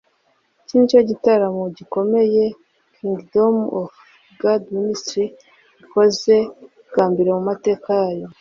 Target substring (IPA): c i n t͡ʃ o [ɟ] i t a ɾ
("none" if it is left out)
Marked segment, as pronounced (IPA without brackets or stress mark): ɟ